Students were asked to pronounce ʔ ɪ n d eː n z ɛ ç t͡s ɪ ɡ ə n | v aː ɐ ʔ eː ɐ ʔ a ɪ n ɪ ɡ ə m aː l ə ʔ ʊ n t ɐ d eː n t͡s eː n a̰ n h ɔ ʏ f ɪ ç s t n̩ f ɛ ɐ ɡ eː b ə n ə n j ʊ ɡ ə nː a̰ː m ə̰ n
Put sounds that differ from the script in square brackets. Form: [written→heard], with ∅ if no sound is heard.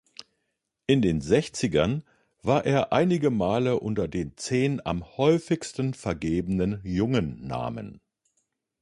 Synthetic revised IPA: ʔ ɪ n d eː n z ɛ ç t͡s ɪ ɡ [ə→ɐ] n | v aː ɐ ʔ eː ɐ ʔ a ɪ n ɪ ɡ ə m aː l ə ʔ ʊ n t ɐ d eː n t͡s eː n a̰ [n→m] h ɔ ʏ f ɪ ç s t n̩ f ɛ ɐ ɡ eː b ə n ə n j ʊ [ɡ→ŋ] ə nː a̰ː m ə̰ n